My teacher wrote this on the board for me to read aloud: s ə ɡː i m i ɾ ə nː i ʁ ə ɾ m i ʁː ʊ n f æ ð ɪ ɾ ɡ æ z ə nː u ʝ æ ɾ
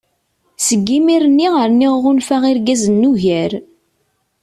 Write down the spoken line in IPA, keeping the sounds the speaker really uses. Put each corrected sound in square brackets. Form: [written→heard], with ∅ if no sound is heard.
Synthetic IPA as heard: s ə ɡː i m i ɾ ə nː i ʁ ə ɾ [m→n] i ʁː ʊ n f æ [ð→ʁ] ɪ ɾ ɡ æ z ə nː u ʝ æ ɾ